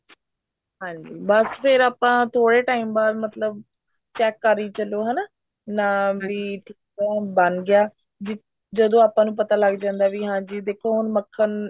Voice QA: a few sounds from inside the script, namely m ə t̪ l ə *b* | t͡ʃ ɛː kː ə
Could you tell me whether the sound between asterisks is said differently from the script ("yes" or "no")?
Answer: no